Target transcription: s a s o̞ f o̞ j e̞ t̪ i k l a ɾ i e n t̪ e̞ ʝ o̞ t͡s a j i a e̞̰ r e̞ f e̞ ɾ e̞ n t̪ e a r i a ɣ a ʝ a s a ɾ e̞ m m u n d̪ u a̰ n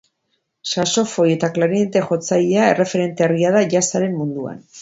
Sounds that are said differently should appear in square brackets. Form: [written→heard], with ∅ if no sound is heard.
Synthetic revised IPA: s a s o̞ f o̞ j e̞ t̪ [i→a] k l a ɾ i e n t̪ e̞ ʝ o̞ t͡s a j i a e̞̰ r e̞ f e̞ ɾ e̞ n t̪ e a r i a [ɣ→ð] a ʝ a s a ɾ e̞ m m u n d̪ u a̰ n